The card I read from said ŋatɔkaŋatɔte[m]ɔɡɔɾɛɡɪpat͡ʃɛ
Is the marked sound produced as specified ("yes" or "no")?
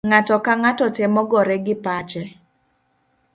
yes